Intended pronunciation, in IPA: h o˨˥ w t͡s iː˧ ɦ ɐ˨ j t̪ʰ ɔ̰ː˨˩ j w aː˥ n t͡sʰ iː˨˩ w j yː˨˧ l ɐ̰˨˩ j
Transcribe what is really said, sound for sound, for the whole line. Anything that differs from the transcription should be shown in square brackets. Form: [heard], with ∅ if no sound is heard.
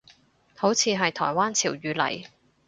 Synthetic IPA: h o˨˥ w [t͡sʰ] iː˧ ɦ ɐ˨ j t̪ʰ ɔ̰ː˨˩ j w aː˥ n t͡sʰ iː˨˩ w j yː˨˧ l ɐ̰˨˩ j